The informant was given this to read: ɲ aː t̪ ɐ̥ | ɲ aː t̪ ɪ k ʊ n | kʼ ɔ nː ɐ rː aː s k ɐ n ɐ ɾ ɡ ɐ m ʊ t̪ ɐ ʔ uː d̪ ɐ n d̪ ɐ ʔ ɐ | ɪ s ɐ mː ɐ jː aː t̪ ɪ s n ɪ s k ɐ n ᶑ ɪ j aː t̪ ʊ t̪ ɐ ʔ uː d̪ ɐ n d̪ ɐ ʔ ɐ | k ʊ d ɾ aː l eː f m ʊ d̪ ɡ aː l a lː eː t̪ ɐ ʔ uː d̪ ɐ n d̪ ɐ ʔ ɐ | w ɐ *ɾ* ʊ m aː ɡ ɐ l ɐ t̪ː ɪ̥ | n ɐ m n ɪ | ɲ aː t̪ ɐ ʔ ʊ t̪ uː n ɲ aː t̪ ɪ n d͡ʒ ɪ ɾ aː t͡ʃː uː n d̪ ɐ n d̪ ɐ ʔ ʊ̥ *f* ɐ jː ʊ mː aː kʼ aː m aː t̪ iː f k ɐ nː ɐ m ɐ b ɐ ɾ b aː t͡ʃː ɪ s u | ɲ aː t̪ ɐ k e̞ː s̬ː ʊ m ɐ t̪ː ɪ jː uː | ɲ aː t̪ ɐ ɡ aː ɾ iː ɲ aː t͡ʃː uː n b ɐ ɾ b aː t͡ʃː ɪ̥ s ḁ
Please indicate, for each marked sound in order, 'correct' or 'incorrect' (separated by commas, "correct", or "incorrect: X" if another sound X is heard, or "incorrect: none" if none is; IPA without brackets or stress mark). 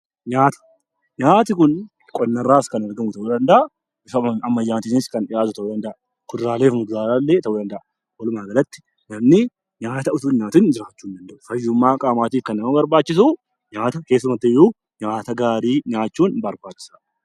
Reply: incorrect: l, correct